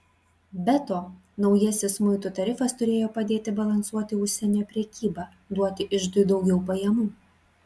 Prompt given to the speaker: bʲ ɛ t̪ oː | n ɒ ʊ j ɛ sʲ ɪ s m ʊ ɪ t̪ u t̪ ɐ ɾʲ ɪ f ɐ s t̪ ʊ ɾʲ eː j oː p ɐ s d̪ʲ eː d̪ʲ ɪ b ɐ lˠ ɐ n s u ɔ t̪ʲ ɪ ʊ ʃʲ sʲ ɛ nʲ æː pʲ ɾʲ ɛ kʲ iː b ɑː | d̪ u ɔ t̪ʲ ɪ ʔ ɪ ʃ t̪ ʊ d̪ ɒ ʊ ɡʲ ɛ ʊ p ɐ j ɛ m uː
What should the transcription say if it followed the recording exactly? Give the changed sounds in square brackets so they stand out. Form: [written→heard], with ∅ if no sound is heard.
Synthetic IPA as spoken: bʲ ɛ t̪ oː | n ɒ ʊ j ɛ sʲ ɪ s m ʊ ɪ t̪ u t̪ ɐ ɾʲ ɪ f ɐ s t̪ ʊ ɾʲ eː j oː p ɐ [s→∅] d̪ʲ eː [d̪ʲ→t̪ʲ] ɪ b ɐ lˠ ɐ n s u ɔ t̪ʲ ɪ ʊ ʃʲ sʲ ɛ nʲ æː pʲ ɾʲ ɛ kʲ iː b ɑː | d̪ u ɔ t̪ʲ ɪ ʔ ɪ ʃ [t̪→d̪] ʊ d̪ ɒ ʊ ɡʲ ɛ ʊ p ɐ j ɛ m uː